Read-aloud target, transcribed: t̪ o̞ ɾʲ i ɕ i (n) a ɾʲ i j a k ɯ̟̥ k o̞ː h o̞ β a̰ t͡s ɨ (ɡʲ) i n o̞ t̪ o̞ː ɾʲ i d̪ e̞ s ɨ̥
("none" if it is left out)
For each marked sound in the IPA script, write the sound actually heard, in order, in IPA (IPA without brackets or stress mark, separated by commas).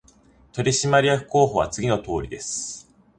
m, ɡʲ